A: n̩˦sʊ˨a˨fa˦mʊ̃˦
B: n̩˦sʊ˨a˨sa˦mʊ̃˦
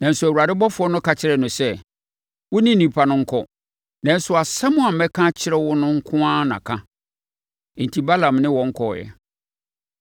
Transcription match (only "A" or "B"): B